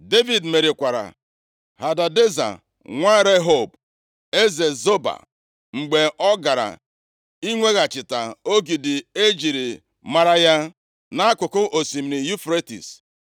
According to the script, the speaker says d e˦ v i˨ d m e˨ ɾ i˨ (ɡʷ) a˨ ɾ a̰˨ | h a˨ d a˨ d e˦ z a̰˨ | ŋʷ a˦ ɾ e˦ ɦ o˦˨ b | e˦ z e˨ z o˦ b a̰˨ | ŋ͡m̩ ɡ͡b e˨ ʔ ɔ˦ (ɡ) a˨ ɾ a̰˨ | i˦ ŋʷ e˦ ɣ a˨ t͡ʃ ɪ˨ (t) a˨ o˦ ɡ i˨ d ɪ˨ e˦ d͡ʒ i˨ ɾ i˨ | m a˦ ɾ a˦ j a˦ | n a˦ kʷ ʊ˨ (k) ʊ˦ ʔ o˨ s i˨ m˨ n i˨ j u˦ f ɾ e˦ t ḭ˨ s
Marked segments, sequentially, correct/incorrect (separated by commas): incorrect, correct, correct, correct